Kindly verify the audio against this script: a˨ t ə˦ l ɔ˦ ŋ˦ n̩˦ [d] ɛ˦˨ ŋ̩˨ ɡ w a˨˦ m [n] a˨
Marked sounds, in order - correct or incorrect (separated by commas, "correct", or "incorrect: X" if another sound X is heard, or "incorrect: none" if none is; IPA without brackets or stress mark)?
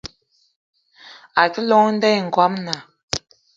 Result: correct, correct